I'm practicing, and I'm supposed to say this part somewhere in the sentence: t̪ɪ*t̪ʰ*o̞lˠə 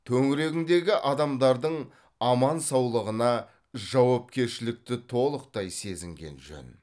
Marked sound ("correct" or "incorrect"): correct